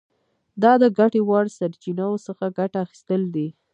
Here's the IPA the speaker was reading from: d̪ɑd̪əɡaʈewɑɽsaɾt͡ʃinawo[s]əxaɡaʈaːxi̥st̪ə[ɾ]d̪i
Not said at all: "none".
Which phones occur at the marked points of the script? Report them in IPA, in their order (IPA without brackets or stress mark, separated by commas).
s, l